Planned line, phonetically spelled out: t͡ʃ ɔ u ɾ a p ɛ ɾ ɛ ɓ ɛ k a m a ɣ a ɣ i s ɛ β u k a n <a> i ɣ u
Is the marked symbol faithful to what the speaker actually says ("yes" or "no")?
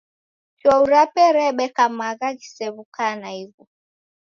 yes